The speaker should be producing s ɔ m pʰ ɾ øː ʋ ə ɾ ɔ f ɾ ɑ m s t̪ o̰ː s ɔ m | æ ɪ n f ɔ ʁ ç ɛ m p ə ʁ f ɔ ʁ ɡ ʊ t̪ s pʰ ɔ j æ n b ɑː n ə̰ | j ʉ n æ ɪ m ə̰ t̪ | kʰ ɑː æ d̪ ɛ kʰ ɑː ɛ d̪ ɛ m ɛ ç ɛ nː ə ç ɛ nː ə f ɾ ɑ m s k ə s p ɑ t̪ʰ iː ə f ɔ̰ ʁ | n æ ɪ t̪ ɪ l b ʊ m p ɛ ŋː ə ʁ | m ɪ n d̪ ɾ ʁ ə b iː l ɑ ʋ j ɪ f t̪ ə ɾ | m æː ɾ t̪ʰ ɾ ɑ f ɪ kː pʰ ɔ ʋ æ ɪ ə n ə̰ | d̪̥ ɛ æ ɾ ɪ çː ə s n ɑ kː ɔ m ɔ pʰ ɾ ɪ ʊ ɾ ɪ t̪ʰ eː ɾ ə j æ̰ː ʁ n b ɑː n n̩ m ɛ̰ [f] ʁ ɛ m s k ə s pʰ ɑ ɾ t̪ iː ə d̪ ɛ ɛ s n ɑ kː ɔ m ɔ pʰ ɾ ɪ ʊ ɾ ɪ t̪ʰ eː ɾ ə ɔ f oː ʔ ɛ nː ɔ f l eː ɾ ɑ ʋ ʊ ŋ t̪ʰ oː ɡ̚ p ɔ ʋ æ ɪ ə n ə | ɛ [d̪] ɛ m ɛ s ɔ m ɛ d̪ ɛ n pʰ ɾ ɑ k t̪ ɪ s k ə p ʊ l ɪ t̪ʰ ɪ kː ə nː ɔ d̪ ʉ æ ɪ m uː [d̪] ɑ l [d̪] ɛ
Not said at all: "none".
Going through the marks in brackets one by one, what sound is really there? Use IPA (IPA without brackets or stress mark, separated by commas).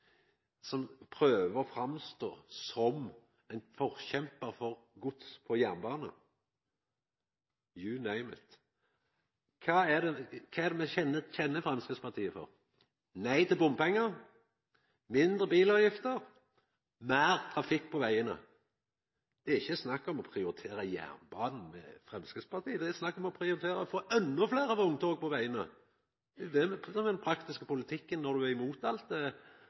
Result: f, d̪, t̪, t̪